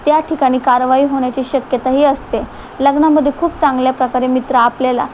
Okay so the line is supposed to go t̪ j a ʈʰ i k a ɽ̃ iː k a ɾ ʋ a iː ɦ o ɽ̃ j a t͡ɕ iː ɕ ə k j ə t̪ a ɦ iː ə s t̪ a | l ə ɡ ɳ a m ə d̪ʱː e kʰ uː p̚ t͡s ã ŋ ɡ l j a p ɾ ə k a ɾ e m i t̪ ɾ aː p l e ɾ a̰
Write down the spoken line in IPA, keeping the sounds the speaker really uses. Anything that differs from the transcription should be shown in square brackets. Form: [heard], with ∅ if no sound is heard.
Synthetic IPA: t̪ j a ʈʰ i k a ɽ̃ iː k a ɾ ʋ a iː ɦ o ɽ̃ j a t͡ɕ iː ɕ ə k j ə t̪ a ɦ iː ə s t̪ [e] | l ə ɡ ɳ a m ə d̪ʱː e kʰ uː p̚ t͡s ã ŋ ɡ l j a p ɾ ə k a ɾ e m i t̪ ɾ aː p l e [l] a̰